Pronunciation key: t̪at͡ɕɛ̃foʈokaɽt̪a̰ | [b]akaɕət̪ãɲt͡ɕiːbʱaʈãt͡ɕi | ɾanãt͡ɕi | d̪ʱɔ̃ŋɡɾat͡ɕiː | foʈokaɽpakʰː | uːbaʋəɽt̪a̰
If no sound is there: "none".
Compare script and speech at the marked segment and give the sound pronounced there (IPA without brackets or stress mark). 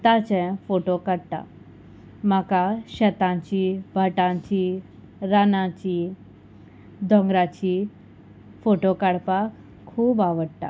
m